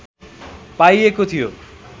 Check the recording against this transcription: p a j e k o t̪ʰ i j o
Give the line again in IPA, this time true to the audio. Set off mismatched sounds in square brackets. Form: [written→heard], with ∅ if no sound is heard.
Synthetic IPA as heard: p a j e k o t̪ʰ i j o